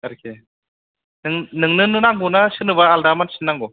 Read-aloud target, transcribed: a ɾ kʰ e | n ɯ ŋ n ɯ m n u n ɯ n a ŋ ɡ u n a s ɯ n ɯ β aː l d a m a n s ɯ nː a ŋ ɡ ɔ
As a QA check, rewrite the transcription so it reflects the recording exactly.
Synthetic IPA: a ɾ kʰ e | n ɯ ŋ n ɯ ŋ n ɯ n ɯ n a ŋ ɡ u n a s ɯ n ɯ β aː l d a m a n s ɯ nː a ŋ ɡ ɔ